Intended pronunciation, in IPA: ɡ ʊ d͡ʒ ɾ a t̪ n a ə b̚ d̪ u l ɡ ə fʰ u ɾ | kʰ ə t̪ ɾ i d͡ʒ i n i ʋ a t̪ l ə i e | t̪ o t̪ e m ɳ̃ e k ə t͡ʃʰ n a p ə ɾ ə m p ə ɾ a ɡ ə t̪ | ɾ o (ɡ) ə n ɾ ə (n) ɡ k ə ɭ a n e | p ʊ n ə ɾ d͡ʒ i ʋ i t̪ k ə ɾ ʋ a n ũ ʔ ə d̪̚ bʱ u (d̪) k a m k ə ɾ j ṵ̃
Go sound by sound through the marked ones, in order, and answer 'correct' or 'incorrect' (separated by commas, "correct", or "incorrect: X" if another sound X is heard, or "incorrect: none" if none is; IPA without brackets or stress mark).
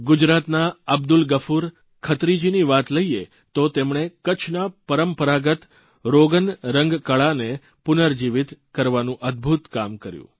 correct, incorrect: ŋ, incorrect: t̪